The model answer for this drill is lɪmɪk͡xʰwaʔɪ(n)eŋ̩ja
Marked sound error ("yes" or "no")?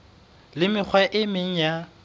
yes